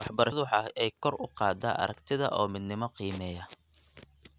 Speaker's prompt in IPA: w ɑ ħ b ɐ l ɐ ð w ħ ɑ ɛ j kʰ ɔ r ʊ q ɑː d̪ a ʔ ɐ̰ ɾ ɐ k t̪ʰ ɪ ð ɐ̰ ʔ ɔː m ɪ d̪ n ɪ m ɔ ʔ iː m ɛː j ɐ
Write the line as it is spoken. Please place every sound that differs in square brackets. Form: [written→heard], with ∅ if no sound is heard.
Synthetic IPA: w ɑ ħ b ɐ [l→ɾ] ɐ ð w ħ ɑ ɛ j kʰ ɔ r ʊ q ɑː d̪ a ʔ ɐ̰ ɾ ɐ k t̪ʰ ɪ ð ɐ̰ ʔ ɔː m ɪ d̪ n ɪ m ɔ [ʔ→q] iː m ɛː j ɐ